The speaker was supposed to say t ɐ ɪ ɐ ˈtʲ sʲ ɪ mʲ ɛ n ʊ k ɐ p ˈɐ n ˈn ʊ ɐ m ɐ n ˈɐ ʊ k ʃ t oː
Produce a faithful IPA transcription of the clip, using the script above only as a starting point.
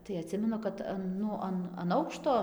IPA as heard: t ɐ ɪ ɐ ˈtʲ sʲ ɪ mʲ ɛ n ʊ k ɐ t ˈɐ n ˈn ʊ ɐ n ɐ n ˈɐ ʊ k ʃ t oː